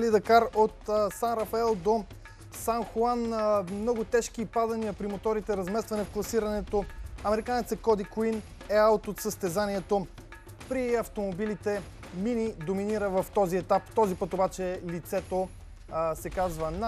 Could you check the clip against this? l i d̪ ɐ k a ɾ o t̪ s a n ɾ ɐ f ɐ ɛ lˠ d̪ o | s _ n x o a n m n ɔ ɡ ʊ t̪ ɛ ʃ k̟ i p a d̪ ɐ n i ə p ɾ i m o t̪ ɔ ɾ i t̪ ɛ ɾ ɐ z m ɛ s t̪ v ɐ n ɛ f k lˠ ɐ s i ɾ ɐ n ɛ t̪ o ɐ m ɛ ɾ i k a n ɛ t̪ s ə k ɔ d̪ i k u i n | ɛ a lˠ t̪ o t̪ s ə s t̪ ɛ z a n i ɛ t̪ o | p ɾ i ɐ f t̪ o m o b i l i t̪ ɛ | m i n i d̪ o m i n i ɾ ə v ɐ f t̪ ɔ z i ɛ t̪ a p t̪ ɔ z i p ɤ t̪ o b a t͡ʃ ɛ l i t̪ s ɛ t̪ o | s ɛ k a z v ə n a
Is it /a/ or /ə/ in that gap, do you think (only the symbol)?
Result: a